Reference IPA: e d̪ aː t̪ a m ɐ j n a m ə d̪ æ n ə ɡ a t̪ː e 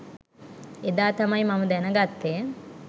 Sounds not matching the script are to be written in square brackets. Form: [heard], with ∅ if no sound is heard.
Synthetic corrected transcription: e d̪ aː t̪ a m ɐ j [m] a m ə d̪ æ n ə ɡ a t̪ː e